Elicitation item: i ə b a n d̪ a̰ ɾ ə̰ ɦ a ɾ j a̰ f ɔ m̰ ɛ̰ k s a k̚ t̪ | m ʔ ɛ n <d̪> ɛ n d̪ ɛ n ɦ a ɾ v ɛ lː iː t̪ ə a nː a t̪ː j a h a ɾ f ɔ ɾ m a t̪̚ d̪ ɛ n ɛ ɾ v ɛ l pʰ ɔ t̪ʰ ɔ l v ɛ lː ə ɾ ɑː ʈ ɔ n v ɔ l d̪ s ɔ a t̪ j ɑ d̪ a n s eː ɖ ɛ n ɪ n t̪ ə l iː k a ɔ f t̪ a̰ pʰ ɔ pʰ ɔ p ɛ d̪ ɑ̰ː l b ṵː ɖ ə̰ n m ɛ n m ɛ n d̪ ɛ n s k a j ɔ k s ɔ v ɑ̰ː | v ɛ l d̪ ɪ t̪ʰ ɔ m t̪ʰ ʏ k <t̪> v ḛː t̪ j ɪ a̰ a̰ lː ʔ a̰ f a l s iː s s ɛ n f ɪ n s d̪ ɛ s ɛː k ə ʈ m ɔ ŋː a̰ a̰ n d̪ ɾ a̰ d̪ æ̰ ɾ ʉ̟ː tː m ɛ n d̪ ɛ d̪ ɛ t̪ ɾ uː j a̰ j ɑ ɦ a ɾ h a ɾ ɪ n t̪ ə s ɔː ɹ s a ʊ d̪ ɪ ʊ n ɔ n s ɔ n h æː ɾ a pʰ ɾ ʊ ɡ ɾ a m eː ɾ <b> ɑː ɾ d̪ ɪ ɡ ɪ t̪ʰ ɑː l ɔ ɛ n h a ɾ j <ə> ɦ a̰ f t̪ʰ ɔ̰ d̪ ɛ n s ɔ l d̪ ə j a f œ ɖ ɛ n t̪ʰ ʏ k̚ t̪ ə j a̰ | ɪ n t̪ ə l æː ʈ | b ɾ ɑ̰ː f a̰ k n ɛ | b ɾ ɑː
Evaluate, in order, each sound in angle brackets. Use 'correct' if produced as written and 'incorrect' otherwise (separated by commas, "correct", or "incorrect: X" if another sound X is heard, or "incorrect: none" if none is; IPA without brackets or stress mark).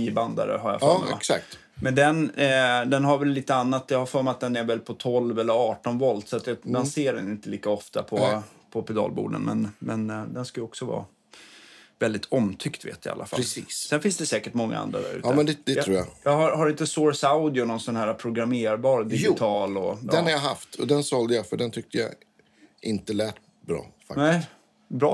correct, correct, correct, incorrect: a